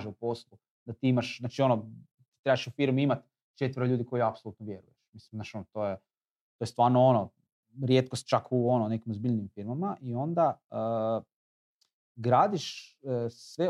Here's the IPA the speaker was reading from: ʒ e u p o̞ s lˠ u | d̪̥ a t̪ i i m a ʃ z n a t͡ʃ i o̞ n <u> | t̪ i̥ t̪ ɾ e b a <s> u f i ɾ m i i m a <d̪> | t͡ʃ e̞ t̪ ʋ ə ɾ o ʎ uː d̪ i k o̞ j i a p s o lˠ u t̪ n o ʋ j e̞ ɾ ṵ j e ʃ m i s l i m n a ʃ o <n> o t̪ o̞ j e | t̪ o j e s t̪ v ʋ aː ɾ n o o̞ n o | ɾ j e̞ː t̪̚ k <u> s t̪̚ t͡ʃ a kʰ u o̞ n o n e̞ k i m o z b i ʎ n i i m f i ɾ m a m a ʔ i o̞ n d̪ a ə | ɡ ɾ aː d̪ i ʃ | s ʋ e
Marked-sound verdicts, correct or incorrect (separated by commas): incorrect, incorrect, incorrect, correct, incorrect